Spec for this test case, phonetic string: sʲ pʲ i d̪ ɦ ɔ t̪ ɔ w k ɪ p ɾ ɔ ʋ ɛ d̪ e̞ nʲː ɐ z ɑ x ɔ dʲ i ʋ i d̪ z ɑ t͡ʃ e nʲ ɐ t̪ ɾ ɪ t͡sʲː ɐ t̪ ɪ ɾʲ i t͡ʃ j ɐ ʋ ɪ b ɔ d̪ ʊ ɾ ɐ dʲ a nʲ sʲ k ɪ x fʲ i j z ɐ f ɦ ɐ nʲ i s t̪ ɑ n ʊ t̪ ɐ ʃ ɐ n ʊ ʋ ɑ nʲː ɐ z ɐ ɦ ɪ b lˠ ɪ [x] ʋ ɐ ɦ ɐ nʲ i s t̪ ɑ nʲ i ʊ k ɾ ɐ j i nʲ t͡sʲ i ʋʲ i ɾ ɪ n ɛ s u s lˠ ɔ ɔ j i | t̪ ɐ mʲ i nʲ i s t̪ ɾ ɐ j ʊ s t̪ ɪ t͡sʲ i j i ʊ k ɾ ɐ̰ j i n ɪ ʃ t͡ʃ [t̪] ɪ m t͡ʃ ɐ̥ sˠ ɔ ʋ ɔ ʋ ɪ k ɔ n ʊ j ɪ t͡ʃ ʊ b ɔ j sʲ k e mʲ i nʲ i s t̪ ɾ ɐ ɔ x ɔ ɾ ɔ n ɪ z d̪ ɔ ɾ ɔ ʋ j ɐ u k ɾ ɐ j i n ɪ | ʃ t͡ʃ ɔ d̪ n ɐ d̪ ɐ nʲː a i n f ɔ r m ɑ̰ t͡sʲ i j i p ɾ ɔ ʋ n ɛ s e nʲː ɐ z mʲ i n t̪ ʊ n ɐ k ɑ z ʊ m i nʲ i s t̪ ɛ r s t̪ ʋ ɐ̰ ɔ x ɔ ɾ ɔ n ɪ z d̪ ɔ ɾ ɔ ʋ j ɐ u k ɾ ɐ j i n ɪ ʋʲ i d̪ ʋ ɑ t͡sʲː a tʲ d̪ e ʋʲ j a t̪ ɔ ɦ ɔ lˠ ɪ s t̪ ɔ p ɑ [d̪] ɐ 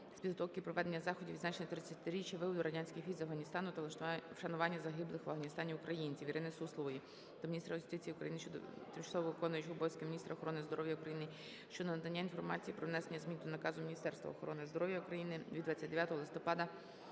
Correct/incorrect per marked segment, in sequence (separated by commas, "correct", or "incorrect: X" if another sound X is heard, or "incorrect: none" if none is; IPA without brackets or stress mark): correct, correct, correct